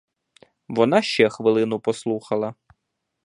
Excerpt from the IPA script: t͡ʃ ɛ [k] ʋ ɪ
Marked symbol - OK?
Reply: no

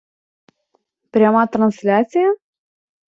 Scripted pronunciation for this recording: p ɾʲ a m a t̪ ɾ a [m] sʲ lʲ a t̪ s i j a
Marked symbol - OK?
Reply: no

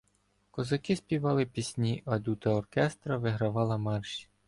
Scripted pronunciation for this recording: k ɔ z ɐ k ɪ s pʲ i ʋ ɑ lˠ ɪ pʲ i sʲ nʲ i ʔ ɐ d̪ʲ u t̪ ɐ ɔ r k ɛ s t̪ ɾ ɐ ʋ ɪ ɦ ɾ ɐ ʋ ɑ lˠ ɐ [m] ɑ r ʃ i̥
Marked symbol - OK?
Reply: yes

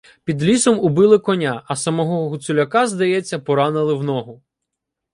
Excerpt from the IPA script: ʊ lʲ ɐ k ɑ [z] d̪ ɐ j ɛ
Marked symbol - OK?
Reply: yes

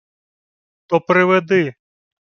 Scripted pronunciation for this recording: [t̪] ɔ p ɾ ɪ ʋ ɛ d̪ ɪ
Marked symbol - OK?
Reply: yes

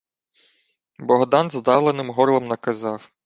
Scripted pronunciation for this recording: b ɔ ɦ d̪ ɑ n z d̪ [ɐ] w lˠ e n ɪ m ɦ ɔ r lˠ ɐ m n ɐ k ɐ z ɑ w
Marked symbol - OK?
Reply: no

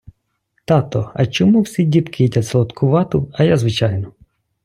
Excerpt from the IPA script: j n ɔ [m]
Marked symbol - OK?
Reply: no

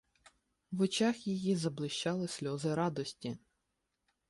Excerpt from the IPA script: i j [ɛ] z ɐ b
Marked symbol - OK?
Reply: no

